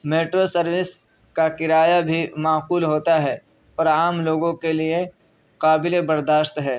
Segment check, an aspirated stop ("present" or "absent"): absent